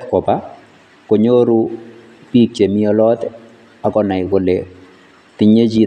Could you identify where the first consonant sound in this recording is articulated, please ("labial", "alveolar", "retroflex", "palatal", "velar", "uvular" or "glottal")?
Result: velar